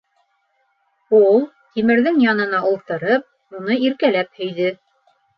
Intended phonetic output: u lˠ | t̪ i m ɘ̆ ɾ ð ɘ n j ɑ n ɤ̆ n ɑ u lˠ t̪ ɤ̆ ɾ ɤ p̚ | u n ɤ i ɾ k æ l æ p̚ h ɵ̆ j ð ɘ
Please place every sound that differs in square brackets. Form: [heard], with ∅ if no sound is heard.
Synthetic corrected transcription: u lˠ | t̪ i m ɘ̆ ɾ ð ɘ [ŋ] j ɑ n ɤ̆ n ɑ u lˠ t̪ ɤ̆ ɾ ɤ p̚ | u n ɤ i ɾ k æ l æ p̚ h ɵ̆ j ð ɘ